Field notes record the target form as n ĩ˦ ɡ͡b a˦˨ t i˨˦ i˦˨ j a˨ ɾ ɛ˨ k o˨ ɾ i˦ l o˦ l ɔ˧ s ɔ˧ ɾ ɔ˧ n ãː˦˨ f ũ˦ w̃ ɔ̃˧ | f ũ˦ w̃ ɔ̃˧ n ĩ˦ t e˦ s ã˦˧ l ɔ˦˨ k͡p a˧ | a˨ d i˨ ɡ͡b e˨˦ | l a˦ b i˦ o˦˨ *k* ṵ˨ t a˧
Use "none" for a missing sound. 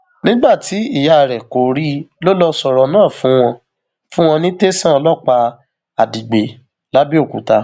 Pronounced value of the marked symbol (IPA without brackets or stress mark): k